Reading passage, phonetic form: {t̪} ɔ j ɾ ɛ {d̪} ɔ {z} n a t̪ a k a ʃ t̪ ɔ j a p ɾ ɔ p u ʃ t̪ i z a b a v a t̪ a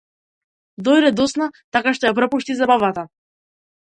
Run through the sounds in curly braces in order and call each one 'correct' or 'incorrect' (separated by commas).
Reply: incorrect, correct, incorrect